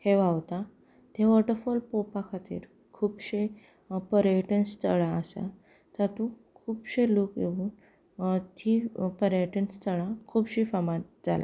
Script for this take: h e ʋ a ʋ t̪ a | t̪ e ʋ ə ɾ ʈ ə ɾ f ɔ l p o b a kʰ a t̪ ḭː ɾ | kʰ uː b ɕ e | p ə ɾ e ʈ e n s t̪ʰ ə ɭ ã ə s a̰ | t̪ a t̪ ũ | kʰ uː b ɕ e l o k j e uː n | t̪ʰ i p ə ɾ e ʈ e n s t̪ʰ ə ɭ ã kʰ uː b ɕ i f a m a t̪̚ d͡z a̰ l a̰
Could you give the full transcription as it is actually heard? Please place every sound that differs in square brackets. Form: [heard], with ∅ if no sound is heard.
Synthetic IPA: h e ʋ a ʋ t̪ a | t̪ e ʋ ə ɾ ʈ ə ɾ f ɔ l p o [p] a kʰ a t̪ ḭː ɾ | kʰ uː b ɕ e | p ə ɾ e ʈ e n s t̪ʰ ə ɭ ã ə s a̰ | t̪ a t̪ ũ | kʰ uː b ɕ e l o k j e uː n | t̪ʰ i p ə ɾ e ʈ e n s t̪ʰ ə ɭ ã kʰ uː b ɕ i f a m a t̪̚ d͡z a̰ l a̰

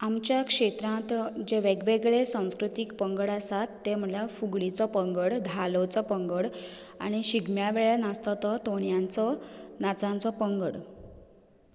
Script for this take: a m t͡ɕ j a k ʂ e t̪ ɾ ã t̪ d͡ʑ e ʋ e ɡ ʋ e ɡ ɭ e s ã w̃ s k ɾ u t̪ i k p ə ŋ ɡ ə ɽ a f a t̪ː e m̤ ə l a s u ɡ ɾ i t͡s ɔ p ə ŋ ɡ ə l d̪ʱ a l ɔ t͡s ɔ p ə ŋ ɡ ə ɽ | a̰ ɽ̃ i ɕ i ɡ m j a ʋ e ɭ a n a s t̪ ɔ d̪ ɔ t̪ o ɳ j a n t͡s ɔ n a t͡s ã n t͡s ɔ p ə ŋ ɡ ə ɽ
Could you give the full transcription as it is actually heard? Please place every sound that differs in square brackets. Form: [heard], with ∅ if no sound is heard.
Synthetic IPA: a m t͡ɕ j a k ʂ e t̪ ɾ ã t̪ d͡ʑ e ʋ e ɡ ʋ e ɡ ɭ e s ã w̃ s k ɾ u t̪ i k p ə ŋ ɡ ə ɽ a [s] a t̪ː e m̤ ə l a [f] u ɡ [ɭ] i t͡s ɔ p ə ŋ ɡ ə [ɽ] d̪ʱ a l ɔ t͡s ɔ p ə ŋ ɡ ə ɽ | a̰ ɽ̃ i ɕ i ɡ m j a ʋ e ɭ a n a s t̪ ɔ [t̪] ɔ t̪ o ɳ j a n t͡s ɔ n a t͡s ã n t͡s ɔ p ə ŋ ɡ ə ɽ

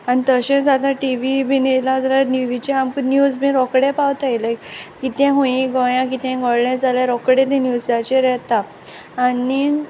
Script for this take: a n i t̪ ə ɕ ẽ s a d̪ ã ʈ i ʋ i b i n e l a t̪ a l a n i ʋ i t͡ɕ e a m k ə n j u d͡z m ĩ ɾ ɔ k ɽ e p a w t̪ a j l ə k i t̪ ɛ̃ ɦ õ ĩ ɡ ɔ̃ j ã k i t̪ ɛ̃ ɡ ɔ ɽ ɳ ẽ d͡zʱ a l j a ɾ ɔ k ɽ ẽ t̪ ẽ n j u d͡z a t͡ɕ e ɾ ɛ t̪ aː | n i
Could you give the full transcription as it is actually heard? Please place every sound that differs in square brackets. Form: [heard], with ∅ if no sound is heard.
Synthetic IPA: a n i t̪ ə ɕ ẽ s a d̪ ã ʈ i ʋ i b i n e l a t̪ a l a n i ʋ i t͡ɕ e a m k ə n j u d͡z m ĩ ɾ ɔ k ɽ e p a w t̪ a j l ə k i t̪ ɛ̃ ɦ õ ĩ ɡ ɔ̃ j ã k i t̪ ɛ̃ ɡ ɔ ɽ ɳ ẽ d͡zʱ a l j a ɾ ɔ k ɽ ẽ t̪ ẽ n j u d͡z a t͡ɕ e ɾ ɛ t̪ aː | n i

